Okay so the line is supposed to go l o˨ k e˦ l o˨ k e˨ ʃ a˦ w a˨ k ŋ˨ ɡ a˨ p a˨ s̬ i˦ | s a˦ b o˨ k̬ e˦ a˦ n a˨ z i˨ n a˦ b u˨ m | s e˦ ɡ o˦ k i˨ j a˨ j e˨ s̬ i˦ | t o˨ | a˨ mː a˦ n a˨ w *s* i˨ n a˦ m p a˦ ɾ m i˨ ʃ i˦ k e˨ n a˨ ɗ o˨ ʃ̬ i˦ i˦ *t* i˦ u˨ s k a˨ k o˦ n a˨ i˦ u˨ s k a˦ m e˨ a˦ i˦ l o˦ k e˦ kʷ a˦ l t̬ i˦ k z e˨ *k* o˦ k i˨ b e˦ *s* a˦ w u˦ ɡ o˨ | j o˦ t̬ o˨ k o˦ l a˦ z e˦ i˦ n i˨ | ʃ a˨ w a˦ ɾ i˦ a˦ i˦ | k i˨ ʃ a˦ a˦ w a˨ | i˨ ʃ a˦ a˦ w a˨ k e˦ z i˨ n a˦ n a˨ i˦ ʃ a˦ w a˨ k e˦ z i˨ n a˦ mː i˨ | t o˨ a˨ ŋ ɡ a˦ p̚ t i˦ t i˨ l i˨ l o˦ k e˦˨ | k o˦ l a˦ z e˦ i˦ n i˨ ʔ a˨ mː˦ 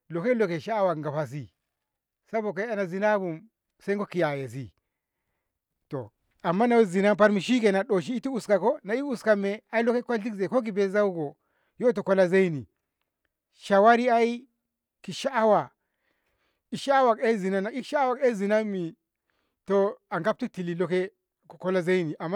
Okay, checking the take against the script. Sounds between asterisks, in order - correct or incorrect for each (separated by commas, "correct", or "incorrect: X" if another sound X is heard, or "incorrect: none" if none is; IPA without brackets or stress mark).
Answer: incorrect: z, correct, correct, incorrect: z